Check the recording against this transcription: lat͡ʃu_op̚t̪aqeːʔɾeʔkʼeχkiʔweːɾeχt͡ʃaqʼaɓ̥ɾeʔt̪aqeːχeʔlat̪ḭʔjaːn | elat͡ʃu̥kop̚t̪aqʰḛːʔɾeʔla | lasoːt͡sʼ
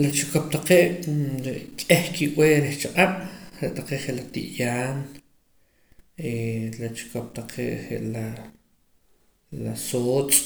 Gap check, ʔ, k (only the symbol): k